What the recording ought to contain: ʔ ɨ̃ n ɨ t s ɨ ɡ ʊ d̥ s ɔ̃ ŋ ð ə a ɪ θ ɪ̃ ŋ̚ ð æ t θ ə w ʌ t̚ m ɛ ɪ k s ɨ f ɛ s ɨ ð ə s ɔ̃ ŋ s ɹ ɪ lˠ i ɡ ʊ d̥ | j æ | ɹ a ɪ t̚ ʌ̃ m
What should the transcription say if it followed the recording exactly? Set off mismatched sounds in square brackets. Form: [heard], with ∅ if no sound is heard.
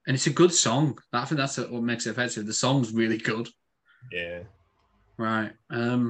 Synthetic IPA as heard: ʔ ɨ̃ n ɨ t s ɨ ɡ ʊ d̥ s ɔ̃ ŋ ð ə a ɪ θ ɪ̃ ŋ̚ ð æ t [s] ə w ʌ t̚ m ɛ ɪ k s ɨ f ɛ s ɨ ð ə s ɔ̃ ŋ [z] ɹ ɪ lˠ i ɡ ʊ d̥ | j æ | ɹ a ɪ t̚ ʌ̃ m